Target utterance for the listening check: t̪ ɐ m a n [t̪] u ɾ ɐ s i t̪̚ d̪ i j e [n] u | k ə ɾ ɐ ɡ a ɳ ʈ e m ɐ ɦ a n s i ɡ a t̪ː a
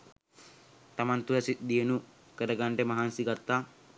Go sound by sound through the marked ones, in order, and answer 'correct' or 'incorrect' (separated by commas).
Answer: correct, correct